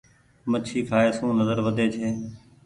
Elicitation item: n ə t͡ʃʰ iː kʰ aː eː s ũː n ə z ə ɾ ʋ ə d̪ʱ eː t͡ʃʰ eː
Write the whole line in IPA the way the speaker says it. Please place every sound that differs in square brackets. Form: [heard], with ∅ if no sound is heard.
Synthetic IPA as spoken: [m] ə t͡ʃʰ iː kʰ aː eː s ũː n ə z ə ɾ ʋ ə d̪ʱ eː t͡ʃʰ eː